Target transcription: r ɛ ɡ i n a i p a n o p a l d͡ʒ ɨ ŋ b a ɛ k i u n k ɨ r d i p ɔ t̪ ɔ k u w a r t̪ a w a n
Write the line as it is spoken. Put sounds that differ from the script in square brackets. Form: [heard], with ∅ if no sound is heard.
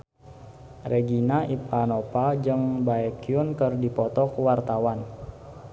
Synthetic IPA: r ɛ ɡ i n a i p a n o p a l d͡ʒ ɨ ŋ b a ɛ k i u n k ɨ r d i p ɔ t̪ ɔ k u w a r t̪ a w a n